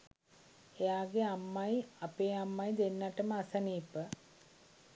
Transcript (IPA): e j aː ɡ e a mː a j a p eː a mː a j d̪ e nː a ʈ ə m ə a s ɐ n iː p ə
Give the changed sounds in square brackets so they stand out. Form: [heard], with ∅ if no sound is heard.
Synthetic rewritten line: e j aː ɡ e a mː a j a p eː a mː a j d̪ e nː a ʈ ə m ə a s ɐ n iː p ə

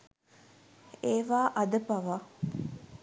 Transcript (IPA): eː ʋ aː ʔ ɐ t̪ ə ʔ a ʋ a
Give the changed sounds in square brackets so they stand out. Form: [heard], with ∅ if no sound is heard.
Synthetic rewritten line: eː ʋ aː ʔ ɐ [d̪] ə [p] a ʋ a

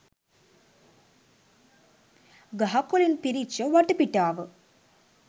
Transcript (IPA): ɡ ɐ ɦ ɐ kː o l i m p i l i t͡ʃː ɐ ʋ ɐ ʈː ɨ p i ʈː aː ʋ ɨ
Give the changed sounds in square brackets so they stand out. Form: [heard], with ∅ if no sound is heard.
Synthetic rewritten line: ɡ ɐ ɦ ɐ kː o l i [n] p i [ɾ] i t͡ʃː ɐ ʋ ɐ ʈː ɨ p i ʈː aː ʋ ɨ

